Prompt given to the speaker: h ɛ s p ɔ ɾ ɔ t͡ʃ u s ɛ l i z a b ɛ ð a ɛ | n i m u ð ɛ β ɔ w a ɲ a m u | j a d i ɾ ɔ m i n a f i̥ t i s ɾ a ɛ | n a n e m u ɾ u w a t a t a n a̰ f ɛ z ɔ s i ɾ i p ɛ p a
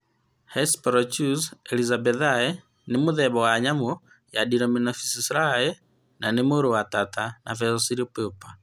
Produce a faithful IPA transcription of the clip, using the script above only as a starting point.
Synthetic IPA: h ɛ s p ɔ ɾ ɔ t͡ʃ u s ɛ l i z a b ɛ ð a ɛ | n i m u ð ɛ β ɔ w a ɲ a m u | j a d i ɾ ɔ m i n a f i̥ s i s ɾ a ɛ | n a n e m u ɾ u w a t a t a n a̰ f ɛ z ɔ s i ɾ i p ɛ p a